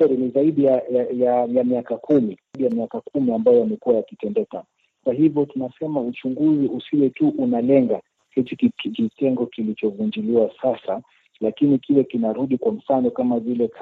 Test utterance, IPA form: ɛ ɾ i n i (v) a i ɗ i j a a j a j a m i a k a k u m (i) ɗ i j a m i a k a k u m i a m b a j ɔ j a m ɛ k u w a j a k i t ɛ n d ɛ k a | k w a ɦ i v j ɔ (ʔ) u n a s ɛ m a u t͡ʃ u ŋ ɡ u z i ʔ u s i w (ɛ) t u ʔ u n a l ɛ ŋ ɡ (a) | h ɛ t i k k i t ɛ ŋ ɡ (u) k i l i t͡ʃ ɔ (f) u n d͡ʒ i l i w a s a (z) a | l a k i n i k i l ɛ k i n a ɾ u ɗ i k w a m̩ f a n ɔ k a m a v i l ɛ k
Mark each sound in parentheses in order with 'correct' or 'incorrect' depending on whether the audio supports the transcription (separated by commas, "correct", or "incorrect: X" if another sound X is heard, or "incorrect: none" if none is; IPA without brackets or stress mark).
incorrect: z, correct, incorrect: t, correct, correct, incorrect: ɔ, incorrect: v, incorrect: s